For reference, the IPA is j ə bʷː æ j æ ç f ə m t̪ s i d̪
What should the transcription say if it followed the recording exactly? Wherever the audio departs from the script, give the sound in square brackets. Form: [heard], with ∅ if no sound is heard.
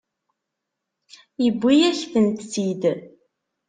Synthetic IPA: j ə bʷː [i] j æ ç f ə [n] t̪ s i d̪